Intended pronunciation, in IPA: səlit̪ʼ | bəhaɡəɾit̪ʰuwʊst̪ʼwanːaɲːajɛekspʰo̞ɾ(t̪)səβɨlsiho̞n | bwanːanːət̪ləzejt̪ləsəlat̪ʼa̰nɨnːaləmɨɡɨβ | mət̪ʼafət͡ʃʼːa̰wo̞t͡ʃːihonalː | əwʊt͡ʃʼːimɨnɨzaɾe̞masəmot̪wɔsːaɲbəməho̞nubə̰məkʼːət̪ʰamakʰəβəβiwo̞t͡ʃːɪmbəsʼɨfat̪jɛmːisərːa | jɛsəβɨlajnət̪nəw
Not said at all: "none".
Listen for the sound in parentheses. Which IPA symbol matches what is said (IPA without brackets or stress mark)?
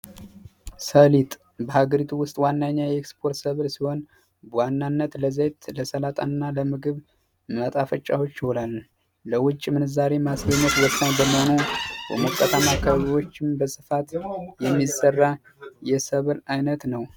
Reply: t̪